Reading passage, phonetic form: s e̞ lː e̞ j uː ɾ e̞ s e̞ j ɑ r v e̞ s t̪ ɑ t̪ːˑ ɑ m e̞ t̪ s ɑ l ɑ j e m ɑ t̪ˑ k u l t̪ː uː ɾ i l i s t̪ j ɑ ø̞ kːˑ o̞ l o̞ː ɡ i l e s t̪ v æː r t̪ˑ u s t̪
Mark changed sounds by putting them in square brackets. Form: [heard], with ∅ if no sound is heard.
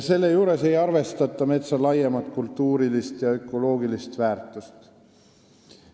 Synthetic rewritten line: s e̞ lː e̞ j uː ɾ e̞ s e̞ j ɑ r v e̞ s t̪ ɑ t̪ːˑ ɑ m e̞ t̪ s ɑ l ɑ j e m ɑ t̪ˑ k u l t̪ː uː ɾ i l i s t̪ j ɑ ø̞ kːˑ o̞ l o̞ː ɡ i l [i] s t̪ v æː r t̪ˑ u s t̪